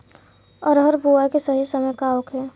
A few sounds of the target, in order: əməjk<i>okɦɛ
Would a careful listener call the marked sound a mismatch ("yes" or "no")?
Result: yes